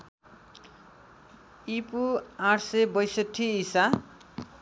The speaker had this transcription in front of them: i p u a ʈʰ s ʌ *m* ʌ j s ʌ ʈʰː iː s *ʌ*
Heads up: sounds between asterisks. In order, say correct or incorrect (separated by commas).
incorrect, incorrect